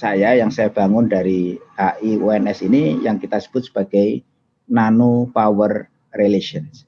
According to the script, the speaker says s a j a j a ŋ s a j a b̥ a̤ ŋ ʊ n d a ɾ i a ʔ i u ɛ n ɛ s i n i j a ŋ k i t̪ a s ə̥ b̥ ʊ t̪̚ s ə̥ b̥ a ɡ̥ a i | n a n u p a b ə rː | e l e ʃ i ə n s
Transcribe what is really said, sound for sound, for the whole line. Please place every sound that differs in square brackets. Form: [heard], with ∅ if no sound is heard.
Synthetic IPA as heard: s a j a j a ŋ s a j a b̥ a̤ ŋ ʊ n d a ɾ i a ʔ i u ɛ n ɛ s i n i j a ŋ k i t̪ a s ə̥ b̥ ʊ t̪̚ s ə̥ b̥ a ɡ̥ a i | n a n u p a [w] ə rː | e l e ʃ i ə n s